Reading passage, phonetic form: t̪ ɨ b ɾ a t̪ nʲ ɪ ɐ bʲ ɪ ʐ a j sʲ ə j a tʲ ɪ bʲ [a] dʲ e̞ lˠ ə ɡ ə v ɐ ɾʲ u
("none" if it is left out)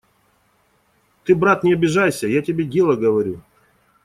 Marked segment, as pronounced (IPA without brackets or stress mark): e